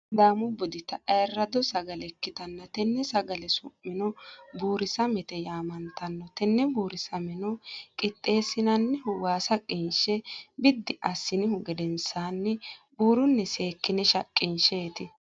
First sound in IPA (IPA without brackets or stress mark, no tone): d̪